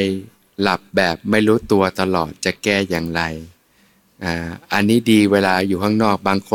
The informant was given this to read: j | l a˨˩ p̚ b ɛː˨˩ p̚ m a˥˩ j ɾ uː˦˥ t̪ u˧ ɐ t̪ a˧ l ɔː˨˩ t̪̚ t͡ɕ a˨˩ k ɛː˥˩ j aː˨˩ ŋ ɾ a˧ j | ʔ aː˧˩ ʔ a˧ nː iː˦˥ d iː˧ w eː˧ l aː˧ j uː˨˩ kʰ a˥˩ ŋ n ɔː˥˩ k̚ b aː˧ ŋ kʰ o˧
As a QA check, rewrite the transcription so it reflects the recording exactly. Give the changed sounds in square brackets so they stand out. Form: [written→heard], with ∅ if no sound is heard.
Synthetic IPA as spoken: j | l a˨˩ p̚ b ɛː˨˩ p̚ m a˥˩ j ɾ uː˦˥ t̪ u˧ ɐ t̪ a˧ l ɔː˨˩ t̪̚ t͡ɕ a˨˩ k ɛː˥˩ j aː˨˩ ŋ ɾ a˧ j | ʔ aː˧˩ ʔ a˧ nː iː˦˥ d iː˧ w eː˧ l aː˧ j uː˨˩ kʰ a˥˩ ŋ n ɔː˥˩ k̚ b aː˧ ŋ kʰ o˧